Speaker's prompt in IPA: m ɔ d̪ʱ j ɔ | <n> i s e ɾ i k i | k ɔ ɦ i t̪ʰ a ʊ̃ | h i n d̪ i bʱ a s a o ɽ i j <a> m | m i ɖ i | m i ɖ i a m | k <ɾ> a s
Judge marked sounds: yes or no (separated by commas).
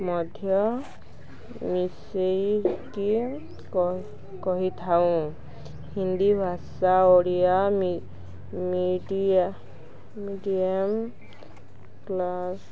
no, yes, no